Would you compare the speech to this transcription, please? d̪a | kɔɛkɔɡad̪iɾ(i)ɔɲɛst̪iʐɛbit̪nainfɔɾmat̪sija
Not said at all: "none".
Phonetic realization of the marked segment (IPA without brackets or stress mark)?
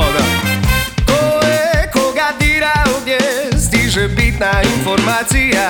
a